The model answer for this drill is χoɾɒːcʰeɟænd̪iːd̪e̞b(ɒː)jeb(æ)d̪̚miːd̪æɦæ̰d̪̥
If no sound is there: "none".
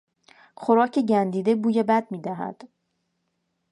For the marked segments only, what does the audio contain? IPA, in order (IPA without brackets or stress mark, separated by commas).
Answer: uː, æ